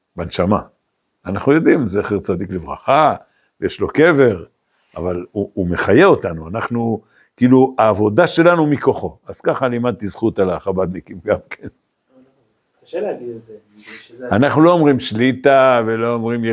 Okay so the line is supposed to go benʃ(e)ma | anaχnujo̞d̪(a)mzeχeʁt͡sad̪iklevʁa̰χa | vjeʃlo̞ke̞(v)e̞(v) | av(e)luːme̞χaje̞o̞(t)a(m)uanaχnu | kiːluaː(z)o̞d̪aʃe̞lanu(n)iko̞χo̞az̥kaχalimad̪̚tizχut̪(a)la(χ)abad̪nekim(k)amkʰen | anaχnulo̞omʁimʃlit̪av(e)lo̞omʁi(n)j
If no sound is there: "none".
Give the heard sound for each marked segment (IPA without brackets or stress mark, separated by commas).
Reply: a, i, v, ʁ, a, t, n, v, m, a, χ, ɡ, e, m